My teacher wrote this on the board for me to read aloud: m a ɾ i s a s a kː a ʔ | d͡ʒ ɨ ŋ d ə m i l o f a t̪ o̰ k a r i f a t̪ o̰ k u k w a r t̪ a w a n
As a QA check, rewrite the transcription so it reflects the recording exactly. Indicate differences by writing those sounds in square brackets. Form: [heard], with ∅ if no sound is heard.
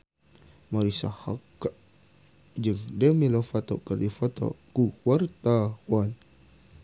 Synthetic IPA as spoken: m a ɾ i s a [h] a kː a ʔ | d͡ʒ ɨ ŋ d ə m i l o f a t̪ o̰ k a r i f a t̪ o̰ k u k w a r t̪ a w a n